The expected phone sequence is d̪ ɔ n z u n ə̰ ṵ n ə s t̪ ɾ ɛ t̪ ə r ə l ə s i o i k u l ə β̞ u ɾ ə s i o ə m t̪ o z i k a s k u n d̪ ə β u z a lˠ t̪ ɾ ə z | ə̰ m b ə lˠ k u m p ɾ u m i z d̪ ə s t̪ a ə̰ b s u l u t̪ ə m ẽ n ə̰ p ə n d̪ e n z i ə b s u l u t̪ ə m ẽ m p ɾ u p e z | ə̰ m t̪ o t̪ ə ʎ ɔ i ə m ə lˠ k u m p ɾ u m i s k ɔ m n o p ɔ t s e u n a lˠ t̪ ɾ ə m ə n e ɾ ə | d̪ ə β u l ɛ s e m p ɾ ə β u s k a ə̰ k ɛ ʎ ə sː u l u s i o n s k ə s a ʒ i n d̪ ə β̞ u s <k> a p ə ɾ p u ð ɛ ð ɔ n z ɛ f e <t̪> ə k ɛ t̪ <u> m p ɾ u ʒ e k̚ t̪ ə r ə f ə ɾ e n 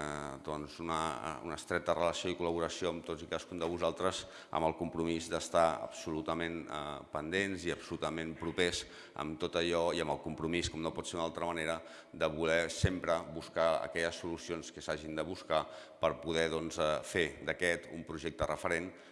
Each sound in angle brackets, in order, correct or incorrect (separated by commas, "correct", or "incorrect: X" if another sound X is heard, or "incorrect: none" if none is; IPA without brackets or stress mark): correct, incorrect: d̪, correct